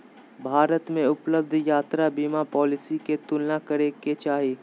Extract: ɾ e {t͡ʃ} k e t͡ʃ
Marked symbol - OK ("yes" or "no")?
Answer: no